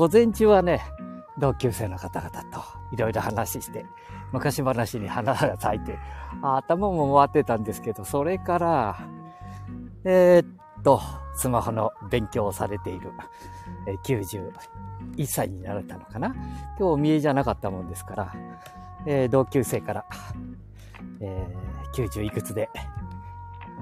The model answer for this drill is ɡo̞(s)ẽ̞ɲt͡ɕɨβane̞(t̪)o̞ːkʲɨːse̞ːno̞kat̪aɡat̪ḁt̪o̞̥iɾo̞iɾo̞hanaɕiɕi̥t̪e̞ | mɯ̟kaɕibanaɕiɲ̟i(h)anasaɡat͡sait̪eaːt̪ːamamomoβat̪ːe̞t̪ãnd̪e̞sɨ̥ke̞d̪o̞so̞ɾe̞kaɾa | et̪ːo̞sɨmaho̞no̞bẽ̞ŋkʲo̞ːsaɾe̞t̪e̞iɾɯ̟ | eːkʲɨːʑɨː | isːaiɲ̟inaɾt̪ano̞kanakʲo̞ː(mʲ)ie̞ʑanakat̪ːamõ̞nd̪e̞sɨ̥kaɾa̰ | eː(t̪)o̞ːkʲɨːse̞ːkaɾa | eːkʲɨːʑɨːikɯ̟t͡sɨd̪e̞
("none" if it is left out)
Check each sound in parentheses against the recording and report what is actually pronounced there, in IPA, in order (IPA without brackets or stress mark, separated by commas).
z, d̪, h, mʲ, d̪